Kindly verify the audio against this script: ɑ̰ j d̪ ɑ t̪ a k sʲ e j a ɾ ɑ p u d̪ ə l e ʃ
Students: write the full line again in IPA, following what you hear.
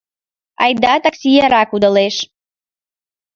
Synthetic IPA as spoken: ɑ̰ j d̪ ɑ t̪ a k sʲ i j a ɾ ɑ k u d̪ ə l e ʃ